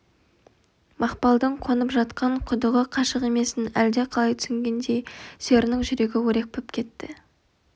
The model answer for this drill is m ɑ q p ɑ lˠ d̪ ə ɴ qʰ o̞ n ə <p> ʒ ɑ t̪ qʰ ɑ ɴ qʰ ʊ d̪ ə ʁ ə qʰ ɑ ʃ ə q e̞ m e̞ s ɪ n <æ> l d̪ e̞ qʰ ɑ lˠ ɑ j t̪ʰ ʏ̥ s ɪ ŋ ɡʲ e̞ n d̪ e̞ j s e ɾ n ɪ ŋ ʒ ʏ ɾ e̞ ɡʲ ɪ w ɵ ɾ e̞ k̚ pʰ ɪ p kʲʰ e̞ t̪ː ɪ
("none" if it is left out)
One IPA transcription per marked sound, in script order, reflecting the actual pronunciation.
p, æ

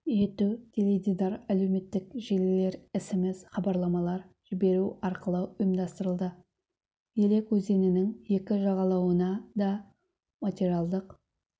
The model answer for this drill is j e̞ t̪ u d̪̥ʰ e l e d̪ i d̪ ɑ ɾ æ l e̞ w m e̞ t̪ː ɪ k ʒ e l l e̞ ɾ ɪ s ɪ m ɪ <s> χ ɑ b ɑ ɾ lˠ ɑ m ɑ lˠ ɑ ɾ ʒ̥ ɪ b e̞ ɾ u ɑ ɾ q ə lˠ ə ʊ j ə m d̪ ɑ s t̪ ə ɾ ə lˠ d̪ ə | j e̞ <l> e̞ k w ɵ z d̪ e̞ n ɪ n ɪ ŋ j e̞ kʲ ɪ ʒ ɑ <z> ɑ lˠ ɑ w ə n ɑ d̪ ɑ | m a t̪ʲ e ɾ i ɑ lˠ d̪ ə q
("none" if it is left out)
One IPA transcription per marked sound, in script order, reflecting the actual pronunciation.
z, l, ʁ

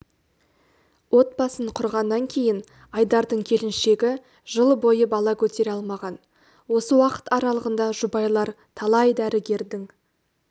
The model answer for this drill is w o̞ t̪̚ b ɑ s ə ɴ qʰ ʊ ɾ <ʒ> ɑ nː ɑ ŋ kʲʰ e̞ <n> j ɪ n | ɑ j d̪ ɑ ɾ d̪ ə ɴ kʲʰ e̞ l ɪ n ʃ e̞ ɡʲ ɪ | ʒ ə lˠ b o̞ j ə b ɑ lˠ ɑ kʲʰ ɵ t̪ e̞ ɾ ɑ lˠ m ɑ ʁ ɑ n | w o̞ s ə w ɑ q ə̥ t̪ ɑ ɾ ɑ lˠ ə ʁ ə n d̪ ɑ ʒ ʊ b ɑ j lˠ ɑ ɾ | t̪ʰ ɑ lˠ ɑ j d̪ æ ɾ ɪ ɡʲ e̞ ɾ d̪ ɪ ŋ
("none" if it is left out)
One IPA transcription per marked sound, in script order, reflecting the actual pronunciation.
ʁ, none

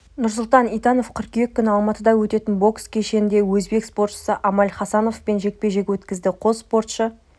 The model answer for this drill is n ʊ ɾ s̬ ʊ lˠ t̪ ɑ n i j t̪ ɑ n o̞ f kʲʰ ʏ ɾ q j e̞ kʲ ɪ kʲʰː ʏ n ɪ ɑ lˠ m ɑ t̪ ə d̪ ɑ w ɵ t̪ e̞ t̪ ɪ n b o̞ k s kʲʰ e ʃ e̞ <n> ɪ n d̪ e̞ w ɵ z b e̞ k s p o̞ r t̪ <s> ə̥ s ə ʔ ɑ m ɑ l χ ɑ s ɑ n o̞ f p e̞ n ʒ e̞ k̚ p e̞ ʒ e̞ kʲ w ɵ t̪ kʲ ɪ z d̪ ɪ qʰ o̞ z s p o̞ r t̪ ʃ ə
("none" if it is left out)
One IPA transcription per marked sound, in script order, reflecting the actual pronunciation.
n, ʃ

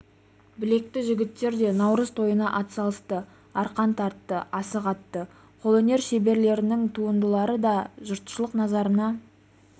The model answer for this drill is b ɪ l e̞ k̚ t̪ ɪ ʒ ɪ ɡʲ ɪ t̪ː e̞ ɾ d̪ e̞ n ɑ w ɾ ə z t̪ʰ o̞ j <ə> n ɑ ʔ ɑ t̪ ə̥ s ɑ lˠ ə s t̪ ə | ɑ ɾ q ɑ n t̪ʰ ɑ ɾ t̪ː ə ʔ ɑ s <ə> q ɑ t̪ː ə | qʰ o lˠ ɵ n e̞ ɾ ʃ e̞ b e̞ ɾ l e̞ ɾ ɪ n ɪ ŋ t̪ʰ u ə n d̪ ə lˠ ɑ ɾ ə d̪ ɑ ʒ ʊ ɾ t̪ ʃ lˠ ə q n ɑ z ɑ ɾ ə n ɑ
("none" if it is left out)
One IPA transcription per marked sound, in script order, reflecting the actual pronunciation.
ə, ə

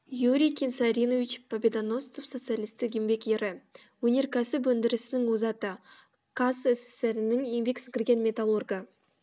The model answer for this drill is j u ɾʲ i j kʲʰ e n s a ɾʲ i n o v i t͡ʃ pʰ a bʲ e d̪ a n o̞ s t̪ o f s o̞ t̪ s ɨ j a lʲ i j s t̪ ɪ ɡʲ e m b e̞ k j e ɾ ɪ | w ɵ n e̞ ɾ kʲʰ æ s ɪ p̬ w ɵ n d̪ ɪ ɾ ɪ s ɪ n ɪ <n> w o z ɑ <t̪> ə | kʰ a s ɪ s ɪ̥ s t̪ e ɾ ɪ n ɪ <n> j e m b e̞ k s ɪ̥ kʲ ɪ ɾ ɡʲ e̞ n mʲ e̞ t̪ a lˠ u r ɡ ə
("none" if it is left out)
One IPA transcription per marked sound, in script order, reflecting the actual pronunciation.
ŋ, t̪, ŋ

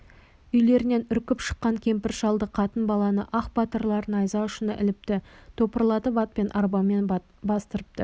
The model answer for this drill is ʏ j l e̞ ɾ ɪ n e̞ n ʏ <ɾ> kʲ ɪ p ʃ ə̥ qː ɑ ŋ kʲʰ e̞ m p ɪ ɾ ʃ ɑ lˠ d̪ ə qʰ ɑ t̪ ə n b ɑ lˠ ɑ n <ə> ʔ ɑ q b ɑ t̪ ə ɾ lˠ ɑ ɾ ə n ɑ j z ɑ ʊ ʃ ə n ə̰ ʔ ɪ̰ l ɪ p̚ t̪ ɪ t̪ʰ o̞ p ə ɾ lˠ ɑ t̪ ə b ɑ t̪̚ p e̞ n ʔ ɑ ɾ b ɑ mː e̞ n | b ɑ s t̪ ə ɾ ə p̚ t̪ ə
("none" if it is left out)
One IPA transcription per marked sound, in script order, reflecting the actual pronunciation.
ɾ, ə

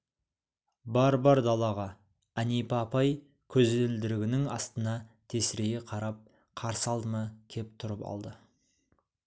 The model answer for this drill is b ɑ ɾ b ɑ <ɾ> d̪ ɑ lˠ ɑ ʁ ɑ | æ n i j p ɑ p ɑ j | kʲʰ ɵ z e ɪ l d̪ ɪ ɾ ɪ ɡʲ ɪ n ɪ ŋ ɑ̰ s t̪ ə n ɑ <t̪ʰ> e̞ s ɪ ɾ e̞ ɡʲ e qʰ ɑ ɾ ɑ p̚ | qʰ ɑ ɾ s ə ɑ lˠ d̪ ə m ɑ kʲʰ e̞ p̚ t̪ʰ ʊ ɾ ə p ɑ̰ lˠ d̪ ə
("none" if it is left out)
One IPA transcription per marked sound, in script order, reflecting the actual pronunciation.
ɾ, t̪ʰ

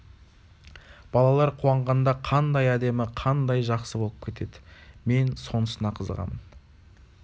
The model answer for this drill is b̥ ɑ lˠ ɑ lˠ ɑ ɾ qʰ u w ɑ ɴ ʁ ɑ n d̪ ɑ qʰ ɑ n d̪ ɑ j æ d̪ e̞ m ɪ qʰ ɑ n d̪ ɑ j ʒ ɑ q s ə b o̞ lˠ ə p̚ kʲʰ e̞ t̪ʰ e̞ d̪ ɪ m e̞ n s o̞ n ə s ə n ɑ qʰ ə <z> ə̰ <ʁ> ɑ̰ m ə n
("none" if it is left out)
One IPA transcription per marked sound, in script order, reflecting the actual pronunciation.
z, ʁ

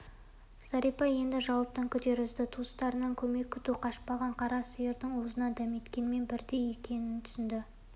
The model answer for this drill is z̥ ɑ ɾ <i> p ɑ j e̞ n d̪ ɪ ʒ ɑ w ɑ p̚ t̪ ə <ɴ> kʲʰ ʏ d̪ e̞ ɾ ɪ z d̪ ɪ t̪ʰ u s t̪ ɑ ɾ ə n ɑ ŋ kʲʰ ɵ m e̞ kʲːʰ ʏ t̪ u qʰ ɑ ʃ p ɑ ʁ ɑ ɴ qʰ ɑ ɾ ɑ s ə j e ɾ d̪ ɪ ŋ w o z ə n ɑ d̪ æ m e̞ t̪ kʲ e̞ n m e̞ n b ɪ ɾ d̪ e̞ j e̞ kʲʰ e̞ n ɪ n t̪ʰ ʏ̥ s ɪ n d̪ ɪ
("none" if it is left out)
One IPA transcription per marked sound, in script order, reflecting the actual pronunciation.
i, ŋ

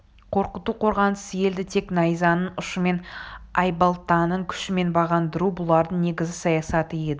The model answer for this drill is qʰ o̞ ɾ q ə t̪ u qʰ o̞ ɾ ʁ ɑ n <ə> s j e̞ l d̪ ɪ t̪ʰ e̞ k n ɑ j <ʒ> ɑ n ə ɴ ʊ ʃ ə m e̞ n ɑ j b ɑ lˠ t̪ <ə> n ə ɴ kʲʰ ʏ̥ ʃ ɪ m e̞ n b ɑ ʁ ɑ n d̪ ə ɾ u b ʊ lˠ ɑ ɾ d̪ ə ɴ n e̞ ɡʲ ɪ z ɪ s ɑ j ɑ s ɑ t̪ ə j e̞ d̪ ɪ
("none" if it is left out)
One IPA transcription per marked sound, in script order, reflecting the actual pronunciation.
ə, z, ɑ

